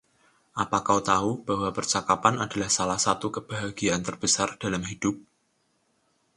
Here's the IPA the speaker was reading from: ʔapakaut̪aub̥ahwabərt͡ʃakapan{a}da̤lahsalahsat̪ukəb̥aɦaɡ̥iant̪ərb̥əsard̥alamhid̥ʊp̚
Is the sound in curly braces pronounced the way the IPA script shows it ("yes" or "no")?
yes